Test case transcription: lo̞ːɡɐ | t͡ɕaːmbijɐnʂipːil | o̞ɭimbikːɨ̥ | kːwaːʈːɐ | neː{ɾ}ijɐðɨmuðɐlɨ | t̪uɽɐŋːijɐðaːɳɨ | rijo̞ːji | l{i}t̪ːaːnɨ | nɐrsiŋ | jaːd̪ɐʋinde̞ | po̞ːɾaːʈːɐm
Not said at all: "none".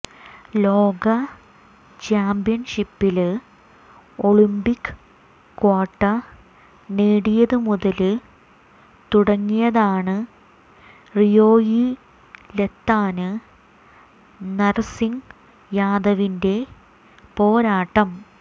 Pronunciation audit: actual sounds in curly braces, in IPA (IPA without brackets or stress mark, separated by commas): ɽ, e